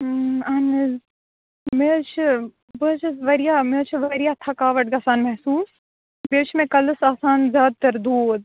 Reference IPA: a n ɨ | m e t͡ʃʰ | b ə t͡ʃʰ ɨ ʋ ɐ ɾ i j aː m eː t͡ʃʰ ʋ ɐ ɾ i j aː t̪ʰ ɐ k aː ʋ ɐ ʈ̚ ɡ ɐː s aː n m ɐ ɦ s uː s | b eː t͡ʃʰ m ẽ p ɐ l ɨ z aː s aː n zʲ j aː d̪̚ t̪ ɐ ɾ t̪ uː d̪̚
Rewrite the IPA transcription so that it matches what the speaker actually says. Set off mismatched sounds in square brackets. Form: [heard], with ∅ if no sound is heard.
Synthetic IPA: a n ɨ | m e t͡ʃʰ | b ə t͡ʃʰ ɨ ʋ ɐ ɾ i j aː m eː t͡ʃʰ ʋ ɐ ɾ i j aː t̪ʰ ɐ k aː ʋ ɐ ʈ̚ ɡ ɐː s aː n m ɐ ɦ s uː s | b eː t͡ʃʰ m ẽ [k] ɐ l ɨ [s] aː s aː n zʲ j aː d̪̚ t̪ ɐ ɾ [d̪] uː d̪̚